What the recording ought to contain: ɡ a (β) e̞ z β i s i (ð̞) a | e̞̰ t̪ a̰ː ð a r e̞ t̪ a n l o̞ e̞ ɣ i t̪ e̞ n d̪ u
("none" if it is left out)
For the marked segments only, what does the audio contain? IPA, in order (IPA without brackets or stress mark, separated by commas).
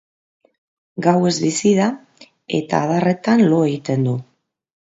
w, ð̞